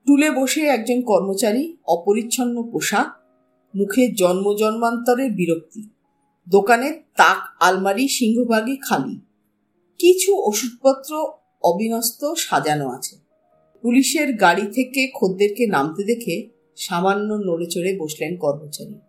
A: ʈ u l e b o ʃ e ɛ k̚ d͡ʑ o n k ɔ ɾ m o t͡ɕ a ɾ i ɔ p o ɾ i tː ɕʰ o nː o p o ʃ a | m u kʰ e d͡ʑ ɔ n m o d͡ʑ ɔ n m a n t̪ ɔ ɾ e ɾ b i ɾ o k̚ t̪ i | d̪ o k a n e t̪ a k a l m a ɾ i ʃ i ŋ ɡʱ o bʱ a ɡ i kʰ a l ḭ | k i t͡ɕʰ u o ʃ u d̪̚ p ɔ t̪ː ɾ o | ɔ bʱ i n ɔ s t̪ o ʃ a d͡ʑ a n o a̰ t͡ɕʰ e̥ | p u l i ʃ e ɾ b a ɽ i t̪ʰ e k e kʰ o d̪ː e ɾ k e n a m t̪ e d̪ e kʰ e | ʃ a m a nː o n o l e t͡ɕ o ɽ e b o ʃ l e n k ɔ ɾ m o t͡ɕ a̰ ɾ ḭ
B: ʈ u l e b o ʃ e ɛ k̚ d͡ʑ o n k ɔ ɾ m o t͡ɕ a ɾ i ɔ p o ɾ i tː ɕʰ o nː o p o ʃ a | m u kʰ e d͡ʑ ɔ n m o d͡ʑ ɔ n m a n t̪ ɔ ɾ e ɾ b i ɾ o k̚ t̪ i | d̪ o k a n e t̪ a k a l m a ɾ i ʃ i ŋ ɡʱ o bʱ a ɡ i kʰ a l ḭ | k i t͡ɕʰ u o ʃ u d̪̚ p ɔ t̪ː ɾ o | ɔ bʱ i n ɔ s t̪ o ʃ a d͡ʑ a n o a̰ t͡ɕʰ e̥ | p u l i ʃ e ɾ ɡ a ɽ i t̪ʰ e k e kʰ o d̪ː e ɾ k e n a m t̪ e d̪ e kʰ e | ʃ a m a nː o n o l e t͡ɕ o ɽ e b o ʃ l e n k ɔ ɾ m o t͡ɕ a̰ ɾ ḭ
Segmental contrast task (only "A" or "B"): B